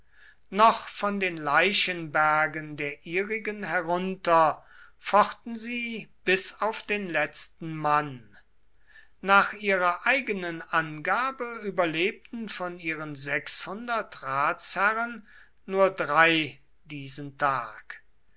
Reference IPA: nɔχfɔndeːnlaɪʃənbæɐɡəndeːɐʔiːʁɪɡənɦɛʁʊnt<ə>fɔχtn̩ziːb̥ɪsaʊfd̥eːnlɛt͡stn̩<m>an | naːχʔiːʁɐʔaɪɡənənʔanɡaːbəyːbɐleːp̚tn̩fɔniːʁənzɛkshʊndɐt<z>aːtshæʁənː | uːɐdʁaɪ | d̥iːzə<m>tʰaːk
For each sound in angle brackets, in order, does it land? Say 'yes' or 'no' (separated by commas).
no, yes, no, no